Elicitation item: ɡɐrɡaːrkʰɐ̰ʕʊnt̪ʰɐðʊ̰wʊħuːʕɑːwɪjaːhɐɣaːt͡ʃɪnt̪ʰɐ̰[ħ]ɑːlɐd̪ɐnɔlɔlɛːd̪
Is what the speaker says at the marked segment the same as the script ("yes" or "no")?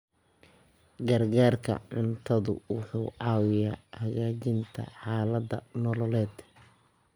yes